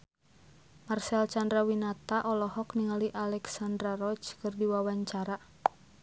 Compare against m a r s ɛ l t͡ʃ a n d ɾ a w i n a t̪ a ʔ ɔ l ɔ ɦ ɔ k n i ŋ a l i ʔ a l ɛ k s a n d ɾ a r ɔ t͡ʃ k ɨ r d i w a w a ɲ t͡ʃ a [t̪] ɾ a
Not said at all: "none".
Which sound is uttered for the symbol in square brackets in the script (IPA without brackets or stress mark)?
none